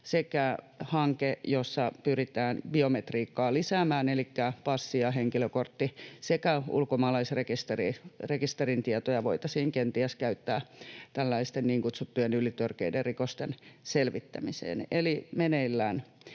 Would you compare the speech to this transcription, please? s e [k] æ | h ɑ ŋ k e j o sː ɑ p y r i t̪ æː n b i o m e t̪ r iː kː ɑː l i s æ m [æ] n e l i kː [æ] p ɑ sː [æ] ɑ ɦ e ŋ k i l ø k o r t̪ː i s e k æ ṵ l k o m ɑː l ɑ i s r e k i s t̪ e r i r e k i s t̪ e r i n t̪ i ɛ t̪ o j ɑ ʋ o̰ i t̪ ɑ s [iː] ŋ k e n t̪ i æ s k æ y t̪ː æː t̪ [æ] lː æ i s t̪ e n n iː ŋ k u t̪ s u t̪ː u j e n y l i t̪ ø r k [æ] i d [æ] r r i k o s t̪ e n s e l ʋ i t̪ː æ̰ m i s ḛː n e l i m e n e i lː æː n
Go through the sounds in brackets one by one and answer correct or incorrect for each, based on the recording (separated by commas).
correct, incorrect, correct, incorrect, correct, correct, incorrect, incorrect